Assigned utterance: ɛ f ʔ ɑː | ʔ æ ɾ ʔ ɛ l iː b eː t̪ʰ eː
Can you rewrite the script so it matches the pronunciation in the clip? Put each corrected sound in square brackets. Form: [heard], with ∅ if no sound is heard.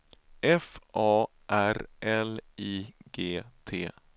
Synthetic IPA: ɛ f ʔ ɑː | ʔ æ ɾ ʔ ɛ l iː [ɡ] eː t̪ʰ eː